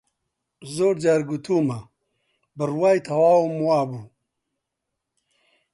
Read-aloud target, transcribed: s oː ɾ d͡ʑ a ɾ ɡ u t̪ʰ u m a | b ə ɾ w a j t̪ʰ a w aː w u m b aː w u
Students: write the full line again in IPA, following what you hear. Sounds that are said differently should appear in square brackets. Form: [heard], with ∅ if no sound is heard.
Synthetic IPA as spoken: [z] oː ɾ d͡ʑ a ɾ ɡ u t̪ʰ u m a | b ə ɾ w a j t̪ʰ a w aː w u m [w] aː [b] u